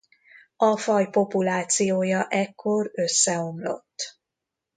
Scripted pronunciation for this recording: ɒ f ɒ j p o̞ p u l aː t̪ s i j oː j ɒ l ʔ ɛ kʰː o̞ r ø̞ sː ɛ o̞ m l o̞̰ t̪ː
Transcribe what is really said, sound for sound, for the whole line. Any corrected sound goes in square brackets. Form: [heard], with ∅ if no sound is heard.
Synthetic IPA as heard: ɒ f ɒ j p o̞ p u l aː t̪ s i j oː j ɒ [∅] ʔ ɛ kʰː o̞ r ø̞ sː ɛ o̞ m l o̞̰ t̪ː